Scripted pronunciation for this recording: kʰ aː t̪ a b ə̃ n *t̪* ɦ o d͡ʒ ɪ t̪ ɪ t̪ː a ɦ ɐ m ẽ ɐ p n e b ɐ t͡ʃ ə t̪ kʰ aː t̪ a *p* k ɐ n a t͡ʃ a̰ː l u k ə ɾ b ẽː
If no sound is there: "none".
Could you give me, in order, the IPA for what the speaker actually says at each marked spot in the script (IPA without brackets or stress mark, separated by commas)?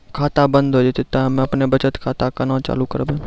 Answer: d̪, none